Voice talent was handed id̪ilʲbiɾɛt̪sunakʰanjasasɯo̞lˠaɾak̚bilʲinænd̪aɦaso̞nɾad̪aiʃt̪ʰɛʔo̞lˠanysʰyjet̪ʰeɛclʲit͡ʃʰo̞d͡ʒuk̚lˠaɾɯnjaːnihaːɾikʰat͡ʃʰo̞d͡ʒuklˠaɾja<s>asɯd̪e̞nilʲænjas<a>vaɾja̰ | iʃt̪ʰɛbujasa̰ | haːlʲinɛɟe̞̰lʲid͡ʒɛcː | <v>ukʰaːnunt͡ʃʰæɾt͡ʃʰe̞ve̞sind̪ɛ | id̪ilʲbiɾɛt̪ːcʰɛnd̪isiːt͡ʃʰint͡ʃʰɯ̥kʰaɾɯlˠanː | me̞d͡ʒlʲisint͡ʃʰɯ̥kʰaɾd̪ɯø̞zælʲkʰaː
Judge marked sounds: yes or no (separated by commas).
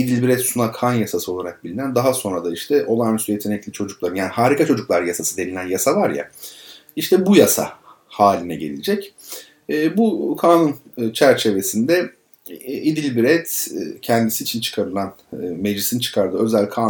yes, yes, no